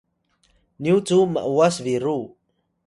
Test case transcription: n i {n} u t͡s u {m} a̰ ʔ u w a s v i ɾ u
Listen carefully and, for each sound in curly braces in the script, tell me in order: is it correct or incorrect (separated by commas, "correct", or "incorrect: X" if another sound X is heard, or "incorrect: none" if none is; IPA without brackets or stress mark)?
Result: incorrect: none, correct